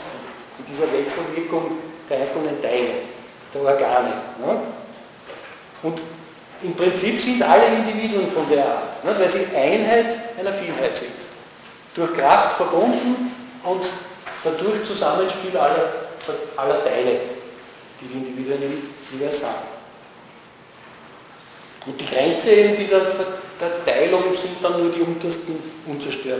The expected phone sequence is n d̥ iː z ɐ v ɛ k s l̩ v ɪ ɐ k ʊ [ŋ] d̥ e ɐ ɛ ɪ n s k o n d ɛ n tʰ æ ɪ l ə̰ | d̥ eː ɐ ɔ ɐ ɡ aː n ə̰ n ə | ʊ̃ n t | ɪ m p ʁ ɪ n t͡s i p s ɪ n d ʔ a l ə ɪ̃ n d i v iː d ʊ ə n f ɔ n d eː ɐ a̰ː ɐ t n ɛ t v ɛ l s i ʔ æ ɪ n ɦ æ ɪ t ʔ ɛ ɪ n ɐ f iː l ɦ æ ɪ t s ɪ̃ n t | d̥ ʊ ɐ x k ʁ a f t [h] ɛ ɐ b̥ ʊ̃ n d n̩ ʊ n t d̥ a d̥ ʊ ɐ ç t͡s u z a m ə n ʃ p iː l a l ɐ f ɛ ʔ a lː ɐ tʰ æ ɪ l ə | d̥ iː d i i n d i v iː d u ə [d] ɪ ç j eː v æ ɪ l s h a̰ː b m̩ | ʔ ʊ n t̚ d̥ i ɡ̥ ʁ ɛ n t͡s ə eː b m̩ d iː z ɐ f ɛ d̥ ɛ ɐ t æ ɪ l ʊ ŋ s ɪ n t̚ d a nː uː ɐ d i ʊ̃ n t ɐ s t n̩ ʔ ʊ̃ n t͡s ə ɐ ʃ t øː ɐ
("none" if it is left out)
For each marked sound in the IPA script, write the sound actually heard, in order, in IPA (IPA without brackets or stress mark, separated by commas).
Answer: ŋ, f, n